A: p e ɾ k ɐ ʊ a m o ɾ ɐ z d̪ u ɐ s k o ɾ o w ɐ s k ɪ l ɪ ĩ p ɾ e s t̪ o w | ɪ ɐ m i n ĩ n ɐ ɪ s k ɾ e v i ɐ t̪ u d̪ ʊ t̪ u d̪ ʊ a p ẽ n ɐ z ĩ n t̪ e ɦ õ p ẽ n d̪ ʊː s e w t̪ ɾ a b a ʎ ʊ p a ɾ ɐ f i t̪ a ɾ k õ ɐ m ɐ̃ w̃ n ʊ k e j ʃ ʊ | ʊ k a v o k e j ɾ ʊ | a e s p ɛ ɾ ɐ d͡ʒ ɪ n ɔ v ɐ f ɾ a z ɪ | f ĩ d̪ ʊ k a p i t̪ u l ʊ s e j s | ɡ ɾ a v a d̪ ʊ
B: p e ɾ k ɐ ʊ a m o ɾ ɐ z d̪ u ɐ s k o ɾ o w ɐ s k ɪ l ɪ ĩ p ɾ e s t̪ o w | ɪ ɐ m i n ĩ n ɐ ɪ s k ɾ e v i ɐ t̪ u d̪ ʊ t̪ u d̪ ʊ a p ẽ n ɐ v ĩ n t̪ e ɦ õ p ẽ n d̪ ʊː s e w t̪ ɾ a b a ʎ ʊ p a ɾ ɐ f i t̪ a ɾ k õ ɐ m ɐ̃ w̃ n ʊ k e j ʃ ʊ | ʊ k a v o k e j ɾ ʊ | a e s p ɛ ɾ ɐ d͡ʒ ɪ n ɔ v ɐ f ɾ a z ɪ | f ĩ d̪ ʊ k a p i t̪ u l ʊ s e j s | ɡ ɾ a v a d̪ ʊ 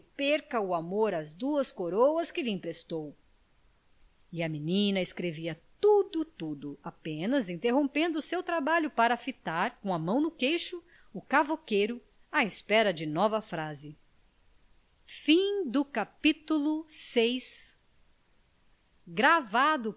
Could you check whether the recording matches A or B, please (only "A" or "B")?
A